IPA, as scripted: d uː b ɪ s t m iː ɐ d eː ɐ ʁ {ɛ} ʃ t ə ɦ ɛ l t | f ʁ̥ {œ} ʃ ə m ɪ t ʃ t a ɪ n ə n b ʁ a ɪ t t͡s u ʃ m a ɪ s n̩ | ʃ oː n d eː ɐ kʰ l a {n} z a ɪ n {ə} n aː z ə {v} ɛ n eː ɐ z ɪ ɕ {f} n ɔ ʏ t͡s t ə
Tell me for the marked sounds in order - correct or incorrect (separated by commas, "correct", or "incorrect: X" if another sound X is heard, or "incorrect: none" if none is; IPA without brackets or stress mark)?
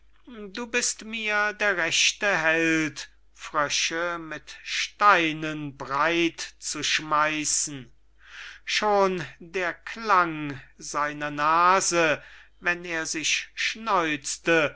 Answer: correct, correct, incorrect: ŋ, incorrect: ɐ, correct, incorrect: ʃ